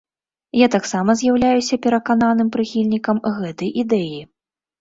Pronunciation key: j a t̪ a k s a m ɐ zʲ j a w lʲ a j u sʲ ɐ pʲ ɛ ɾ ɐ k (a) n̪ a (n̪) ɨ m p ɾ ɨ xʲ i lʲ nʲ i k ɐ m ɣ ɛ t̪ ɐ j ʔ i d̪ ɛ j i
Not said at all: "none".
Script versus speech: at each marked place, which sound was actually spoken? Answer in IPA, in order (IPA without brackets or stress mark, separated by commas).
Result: a, n̪